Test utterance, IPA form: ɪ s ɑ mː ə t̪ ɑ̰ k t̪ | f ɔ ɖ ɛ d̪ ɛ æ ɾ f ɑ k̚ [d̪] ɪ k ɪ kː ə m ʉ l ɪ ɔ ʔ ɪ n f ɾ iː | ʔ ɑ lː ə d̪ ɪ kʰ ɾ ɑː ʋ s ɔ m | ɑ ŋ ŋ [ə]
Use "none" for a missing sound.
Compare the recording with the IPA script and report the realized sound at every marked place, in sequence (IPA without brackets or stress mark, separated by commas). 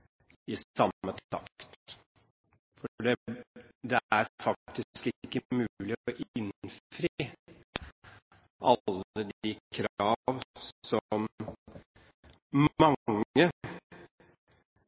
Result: t̪, ə